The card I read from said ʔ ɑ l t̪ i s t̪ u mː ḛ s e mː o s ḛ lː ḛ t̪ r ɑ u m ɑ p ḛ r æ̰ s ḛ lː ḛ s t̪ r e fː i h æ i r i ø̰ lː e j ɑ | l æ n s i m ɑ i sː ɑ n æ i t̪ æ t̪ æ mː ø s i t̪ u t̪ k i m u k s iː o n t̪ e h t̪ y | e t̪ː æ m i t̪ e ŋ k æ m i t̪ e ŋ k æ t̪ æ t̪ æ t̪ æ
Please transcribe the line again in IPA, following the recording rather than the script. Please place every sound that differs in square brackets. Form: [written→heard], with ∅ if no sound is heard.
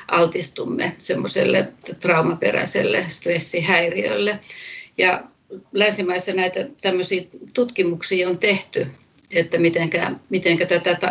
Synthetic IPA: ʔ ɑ l t̪ i s t̪ u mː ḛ s e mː o s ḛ lː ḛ t̪ r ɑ u m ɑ p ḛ r æ̰ s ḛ lː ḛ s t̪ r e [fː→sː] i h æ i r i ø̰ lː e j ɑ | l æ n s i m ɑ i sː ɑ n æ i t̪ æ t̪ æ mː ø s [i→iː] t̪ u t̪ k i m u k s iː o n t̪ e h t̪ y | e t̪ː æ m i t̪ e ŋ k æ m i t̪ e ŋ k æ t̪ æ t̪ æ t̪ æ